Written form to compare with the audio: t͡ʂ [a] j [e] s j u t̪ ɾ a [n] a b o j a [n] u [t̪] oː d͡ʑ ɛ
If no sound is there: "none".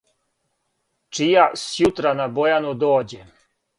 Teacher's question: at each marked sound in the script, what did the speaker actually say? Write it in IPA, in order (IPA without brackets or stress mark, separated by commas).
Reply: i, a, n, n, d̪